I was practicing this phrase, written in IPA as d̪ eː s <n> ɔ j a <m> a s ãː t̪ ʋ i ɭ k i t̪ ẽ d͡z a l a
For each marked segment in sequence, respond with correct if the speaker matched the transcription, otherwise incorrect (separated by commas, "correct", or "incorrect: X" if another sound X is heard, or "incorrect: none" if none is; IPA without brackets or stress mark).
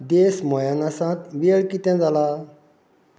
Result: incorrect: m, incorrect: n